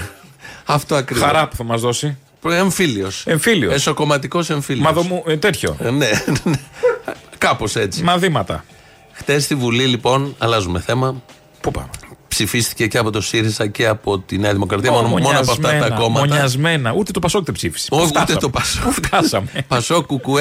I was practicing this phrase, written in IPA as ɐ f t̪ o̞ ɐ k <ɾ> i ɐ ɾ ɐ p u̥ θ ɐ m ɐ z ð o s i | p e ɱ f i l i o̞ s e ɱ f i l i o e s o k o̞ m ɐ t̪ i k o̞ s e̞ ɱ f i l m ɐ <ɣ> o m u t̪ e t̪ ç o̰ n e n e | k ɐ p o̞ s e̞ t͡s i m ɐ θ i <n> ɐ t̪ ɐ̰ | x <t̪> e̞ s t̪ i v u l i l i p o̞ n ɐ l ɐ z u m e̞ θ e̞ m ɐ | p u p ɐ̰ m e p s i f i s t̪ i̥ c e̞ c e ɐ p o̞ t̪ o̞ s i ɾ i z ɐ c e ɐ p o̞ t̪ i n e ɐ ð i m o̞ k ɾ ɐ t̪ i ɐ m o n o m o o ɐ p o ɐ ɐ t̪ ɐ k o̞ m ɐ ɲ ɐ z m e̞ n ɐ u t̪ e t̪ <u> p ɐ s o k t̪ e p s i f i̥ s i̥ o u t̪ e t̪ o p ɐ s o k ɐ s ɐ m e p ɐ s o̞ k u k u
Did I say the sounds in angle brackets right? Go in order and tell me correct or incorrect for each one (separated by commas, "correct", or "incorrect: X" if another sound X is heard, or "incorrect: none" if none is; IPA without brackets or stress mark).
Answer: correct, incorrect: ð, incorrect: m, correct, incorrect: o